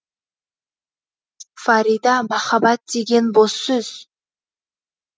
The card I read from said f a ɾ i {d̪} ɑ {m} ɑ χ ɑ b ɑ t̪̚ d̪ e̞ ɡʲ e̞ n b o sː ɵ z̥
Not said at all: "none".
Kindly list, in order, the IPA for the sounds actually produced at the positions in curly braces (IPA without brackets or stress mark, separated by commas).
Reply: d̪, m